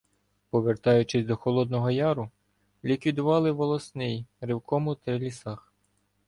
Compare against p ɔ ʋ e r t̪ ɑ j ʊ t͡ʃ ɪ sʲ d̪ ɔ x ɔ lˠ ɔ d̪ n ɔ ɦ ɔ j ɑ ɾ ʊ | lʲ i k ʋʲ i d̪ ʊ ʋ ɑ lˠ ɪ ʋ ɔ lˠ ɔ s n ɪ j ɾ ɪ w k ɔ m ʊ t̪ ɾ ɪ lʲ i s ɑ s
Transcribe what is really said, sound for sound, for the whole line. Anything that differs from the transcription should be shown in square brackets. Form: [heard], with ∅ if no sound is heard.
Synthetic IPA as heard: p ɔ ʋ e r t̪ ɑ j ʊ t͡ʃ ɪ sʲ d̪ ɔ x ɔ lˠ ɔ d̪ n ɔ ɦ ɔ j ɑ ɾ ʊ | lʲ i k ʋʲ i d̪ ʊ ʋ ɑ lˠ ɪ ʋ ɔ lˠ ɔ s n ɪ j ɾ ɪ w k ɔ m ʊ t̪ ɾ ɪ lʲ i s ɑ [x]